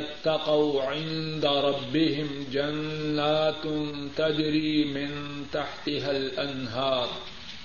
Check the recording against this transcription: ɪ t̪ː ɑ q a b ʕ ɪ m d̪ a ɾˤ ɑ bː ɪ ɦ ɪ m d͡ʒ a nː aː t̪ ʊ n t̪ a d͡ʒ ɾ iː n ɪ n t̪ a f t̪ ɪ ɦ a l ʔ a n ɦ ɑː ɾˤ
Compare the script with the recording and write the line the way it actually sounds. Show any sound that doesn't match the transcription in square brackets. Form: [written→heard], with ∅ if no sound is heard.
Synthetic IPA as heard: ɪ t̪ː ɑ q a [b→w] ʕ ɪ [m→n] d̪ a ɾˤ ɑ bː ɪ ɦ ɪ m d͡ʒ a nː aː t̪ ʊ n t̪ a d͡ʒ ɾ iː [n→m] ɪ n t̪ a [f→ħ] t̪ ɪ ɦ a l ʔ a n ɦ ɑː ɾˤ